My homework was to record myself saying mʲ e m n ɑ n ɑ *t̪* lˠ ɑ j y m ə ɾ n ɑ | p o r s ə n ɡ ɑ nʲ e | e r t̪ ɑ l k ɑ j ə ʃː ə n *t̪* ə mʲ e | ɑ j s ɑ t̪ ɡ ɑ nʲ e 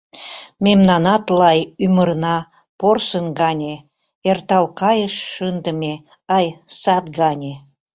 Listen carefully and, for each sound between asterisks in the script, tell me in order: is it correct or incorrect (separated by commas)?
correct, incorrect